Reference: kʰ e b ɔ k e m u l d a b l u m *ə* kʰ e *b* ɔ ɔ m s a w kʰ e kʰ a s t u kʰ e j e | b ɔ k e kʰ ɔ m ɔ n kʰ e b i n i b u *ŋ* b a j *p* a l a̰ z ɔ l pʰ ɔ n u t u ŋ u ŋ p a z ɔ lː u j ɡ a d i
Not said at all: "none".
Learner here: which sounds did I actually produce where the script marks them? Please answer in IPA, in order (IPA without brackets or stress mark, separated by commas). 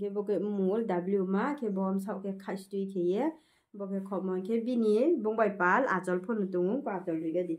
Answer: a, b, ŋ, p